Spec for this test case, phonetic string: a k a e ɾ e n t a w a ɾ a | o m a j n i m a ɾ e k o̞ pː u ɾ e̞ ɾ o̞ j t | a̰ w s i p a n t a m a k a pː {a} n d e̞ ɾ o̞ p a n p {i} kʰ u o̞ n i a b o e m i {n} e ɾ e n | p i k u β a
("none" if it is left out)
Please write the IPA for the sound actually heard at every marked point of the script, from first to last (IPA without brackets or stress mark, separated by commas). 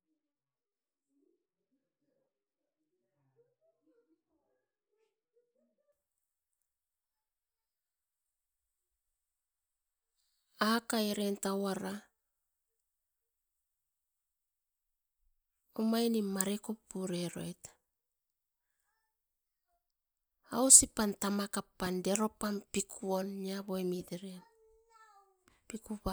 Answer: a, i, d